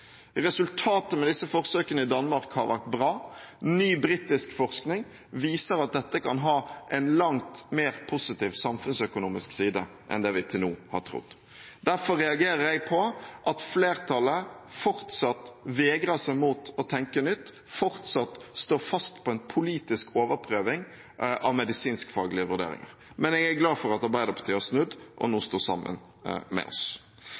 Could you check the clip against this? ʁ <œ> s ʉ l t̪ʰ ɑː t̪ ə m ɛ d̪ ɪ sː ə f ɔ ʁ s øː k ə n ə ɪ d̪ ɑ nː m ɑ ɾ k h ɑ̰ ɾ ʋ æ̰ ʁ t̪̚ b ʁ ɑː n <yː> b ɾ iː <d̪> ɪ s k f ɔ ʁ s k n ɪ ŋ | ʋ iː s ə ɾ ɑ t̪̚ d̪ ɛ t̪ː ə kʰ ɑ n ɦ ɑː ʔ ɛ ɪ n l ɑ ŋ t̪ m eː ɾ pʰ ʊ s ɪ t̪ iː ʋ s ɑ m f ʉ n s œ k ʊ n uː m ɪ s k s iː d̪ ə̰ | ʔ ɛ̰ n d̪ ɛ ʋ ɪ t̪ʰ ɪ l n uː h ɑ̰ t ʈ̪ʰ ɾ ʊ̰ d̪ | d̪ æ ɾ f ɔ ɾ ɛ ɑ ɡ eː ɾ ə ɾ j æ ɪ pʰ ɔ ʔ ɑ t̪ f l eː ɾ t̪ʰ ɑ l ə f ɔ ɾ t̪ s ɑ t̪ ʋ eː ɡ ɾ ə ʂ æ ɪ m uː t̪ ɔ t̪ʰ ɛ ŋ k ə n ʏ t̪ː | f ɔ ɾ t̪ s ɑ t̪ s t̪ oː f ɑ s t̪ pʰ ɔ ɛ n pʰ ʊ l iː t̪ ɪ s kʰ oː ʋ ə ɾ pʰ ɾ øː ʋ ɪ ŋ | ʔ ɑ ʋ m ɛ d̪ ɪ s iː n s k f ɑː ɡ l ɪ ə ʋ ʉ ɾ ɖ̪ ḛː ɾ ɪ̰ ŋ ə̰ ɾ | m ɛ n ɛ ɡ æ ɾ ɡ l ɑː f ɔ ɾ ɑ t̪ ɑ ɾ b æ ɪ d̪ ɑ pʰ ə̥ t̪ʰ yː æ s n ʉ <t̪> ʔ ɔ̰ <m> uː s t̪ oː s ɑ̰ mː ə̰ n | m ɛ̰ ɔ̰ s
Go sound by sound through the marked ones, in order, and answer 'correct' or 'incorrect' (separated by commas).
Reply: incorrect, correct, incorrect, incorrect, incorrect